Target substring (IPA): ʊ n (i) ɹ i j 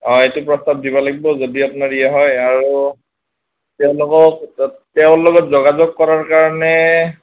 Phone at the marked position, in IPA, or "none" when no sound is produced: a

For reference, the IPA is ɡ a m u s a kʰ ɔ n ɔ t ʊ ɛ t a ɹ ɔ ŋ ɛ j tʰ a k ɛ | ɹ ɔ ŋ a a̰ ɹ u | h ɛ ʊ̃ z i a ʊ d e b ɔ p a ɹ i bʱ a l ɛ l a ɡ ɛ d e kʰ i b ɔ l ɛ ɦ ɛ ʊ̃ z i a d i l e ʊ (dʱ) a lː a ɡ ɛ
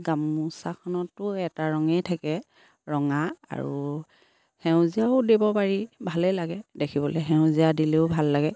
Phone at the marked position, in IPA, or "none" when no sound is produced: bʱ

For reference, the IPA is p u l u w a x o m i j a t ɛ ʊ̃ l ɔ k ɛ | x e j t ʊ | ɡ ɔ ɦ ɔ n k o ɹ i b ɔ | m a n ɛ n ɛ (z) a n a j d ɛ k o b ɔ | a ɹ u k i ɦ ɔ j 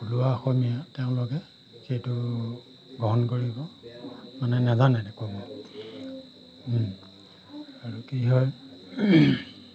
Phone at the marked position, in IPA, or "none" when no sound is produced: z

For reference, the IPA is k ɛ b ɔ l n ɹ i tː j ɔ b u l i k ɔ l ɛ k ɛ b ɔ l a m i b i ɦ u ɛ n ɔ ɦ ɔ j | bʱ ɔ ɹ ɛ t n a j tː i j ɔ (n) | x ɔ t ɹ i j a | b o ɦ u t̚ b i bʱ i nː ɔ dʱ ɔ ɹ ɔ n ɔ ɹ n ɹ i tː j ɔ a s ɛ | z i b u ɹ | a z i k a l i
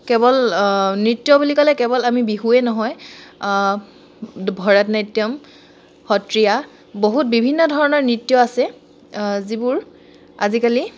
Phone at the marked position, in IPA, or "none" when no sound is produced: m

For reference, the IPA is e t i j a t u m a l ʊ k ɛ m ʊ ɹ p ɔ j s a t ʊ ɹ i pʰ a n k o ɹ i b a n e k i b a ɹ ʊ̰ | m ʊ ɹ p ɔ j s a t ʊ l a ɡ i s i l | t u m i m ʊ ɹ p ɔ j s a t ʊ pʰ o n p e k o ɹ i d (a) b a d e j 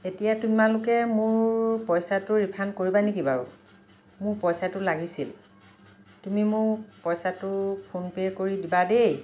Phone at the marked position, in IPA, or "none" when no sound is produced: i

